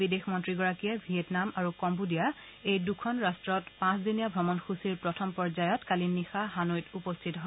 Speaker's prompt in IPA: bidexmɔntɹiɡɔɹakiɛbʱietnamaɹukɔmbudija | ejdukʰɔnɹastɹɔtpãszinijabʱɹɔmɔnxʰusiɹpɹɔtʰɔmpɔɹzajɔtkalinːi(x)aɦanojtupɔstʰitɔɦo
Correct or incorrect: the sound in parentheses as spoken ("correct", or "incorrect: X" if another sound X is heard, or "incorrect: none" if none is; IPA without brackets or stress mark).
correct